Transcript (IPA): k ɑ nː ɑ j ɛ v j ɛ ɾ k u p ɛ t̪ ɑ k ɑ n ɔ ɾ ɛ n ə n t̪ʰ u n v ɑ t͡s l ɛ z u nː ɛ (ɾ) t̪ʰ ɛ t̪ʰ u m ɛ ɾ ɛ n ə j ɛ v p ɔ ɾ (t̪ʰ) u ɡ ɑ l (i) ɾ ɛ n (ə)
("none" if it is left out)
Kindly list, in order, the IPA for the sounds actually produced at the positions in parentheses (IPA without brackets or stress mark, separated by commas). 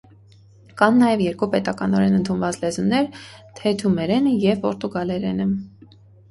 ɾ, t̪, ɛ, ə